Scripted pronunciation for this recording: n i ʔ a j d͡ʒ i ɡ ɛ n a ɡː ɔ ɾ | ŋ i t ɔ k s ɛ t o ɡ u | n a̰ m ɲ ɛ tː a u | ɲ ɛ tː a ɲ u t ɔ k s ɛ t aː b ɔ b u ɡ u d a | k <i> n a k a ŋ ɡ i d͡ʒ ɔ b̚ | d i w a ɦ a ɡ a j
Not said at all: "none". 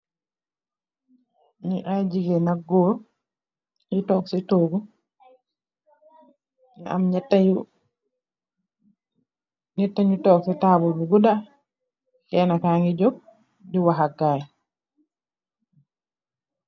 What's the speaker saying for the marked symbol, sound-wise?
ɛ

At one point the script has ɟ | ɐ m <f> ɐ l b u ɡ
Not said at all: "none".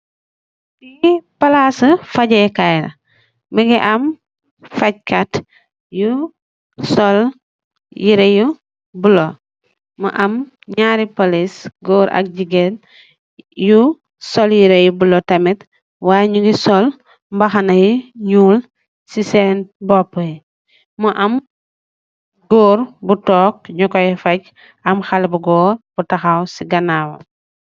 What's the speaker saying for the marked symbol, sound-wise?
x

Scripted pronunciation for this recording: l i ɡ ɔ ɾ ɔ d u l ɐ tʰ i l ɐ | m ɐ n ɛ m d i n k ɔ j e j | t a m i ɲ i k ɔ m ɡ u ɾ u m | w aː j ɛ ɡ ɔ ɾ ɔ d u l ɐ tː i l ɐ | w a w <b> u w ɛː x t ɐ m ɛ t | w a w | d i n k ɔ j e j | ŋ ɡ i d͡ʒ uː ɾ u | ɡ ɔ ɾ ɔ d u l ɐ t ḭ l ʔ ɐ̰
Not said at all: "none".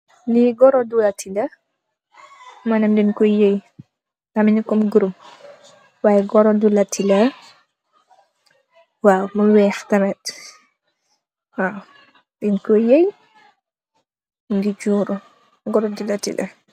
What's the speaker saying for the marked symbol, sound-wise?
m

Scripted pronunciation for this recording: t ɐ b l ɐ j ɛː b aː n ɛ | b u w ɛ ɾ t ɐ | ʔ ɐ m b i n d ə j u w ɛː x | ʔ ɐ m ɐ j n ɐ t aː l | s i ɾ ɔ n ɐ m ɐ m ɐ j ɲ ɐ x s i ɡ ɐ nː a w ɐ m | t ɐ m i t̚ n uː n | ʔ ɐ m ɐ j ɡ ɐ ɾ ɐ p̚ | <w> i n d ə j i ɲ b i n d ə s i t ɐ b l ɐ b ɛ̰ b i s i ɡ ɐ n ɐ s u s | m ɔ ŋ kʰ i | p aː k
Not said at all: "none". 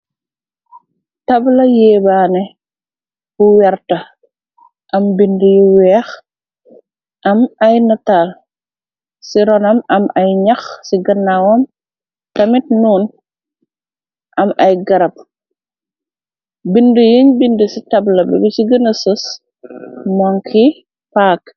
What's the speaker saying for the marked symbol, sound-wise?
b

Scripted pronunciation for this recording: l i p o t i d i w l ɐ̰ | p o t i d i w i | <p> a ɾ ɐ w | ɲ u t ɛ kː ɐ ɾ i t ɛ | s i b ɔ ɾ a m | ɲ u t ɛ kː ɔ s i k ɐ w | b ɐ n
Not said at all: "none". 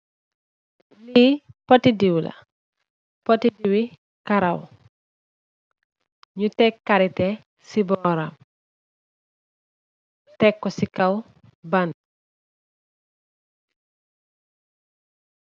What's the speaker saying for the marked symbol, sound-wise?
k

